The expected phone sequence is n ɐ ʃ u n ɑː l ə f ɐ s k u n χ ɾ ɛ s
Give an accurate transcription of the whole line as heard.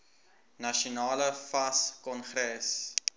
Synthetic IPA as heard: n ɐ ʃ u n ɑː l ə f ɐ s k ɔ n χ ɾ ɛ s